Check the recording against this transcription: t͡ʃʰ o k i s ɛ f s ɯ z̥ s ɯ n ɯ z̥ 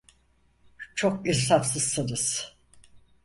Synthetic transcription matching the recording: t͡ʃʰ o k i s a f s ɯ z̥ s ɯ n ɯ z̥

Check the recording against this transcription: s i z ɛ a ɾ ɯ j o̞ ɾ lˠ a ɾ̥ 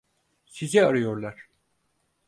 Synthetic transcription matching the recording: s i z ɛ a ɾ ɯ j o̞ ɾ lˠ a ɾ̥

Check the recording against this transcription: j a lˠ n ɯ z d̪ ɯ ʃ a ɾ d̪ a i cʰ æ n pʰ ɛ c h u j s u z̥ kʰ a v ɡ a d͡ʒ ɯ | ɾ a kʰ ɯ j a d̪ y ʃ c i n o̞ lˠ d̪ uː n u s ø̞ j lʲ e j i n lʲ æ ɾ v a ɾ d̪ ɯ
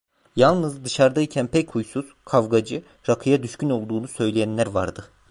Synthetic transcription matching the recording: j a lˠ n ɯ z d̪ ɯ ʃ a ɾ d̪ a i cʰ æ n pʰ ɛ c h u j s u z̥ kʰ a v ɡ a d͡ʒ ɯ | ɾ a kʰ ɯ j a d̪ y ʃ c y n o̞ lˠ d̪ uː n u s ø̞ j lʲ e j æ n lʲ æ ɾ v a ɾ d̪ ɯ

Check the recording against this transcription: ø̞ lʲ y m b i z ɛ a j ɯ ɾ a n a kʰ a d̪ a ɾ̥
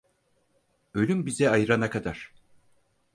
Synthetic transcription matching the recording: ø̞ lʲ y m b i z ɛ a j ɯ ɾ a n a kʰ a d̪ a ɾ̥

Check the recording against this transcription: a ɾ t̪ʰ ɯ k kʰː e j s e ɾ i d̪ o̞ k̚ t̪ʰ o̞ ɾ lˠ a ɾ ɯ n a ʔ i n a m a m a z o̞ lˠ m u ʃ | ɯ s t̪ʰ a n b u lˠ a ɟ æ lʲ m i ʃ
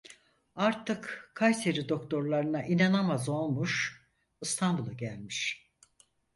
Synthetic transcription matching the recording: a ɾ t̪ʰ ɯ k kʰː a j s e ɾ i d̪ o̞ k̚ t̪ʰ o̞ ɾ lˠ a ɾ ɯ n a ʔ i n a n a m a z o̞ lˠ m u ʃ | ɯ s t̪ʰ a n b u lˠ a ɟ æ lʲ m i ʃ

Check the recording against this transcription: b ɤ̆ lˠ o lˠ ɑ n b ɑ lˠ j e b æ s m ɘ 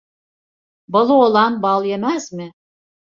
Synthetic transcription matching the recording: b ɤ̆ lˠ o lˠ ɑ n b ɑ lˠ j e m æ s m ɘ

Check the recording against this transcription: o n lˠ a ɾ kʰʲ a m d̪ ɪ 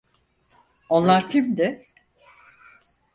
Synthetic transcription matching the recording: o n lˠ a ɾ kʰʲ i m d̪ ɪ

